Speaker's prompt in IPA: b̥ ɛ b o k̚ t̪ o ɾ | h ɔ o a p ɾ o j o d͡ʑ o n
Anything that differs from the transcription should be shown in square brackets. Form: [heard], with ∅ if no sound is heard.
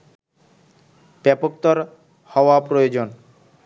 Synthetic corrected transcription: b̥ ɛ [p] o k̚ t̪ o ɾ | h ɔ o a p ɾ o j o d͡ʑ o n